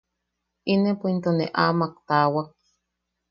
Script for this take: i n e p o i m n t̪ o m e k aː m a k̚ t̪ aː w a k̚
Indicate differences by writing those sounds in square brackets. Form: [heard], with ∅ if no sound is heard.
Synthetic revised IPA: i n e p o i [∅] n t̪ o [n] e [ʔ] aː m a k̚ t̪ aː w a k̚